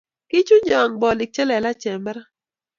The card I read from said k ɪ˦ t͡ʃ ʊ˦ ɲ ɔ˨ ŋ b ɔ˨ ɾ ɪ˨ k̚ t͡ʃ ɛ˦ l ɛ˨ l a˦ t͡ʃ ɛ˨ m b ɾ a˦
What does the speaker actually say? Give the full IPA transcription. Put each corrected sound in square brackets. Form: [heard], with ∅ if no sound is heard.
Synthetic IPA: k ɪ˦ t͡ʃ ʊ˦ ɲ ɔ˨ ŋ b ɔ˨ [l] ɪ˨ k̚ t͡ʃ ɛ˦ l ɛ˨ l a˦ t͡ʃ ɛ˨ m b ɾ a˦

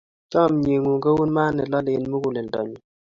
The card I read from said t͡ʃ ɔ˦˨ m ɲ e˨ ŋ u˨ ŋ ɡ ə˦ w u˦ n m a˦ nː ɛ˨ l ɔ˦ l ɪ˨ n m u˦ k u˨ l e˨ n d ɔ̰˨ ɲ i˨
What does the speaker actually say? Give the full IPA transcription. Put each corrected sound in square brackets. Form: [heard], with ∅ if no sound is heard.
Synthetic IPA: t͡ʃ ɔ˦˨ m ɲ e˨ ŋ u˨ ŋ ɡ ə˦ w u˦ n m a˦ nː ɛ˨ l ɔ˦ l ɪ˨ n m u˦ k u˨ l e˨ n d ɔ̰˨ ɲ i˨

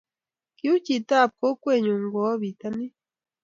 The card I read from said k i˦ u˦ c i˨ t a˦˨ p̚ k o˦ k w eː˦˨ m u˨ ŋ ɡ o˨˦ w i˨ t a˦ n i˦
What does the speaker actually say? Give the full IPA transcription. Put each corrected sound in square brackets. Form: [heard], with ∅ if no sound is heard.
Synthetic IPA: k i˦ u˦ c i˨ t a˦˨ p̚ k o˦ k w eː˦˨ [ɲ] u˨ ŋ ɡ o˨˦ [β] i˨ t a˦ n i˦

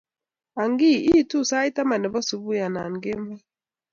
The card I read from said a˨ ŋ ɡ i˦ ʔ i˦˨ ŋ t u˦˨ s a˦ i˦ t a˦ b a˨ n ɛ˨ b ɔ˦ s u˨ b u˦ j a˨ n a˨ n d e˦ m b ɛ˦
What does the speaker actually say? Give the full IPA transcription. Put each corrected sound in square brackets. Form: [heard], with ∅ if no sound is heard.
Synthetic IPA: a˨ ŋ ɡ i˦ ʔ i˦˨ [∅] t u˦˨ s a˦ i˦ t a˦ [m] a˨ n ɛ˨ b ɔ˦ s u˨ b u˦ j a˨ n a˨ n [ɡ] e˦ m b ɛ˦

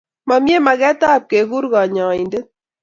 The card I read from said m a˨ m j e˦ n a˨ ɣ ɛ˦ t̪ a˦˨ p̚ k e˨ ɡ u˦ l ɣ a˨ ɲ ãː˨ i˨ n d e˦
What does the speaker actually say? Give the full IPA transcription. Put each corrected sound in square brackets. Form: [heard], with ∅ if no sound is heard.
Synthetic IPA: m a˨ m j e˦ [m] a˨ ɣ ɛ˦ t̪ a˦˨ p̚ k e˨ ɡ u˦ [ɾ] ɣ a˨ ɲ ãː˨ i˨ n d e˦

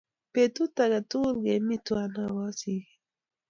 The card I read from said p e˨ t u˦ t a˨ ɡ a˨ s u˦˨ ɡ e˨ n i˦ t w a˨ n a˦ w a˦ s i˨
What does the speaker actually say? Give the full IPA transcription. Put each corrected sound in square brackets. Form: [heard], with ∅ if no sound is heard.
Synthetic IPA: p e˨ t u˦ t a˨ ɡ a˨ [t] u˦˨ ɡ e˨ [m] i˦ t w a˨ n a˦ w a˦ s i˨

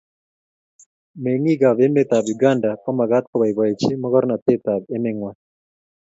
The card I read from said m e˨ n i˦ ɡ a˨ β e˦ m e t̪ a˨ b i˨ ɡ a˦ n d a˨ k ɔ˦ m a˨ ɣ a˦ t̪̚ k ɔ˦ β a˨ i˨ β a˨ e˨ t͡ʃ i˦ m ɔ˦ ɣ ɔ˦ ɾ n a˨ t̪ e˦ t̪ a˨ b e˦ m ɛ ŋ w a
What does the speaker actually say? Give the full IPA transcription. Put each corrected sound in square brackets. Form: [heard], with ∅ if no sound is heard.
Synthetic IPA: m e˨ [ŋ] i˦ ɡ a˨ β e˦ m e t̪ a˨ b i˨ ɡ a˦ n d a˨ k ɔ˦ m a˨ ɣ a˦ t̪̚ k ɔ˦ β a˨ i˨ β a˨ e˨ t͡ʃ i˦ m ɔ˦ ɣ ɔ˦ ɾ n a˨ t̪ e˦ t̪ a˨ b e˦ m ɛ ŋ w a

